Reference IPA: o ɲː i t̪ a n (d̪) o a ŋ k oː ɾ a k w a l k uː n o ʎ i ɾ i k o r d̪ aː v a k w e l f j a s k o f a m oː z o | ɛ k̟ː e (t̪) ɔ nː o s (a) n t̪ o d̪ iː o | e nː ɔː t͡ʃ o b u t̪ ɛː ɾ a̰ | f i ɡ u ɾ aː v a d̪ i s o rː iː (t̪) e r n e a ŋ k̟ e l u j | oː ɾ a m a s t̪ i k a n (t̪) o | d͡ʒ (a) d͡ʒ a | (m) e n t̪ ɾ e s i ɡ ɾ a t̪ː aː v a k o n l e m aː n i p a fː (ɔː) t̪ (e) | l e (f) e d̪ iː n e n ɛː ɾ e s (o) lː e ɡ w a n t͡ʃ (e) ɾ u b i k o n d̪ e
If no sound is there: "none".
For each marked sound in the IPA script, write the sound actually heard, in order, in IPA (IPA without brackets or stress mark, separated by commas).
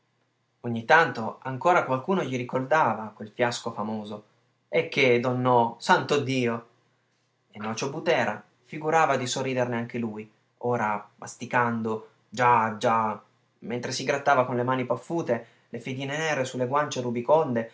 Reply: t̪, d̪, a, d̪, d̪, a, m, uː, e, f, u, e